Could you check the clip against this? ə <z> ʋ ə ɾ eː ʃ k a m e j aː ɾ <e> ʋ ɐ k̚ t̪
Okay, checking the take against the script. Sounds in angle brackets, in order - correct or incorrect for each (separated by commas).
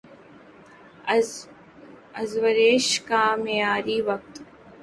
correct, incorrect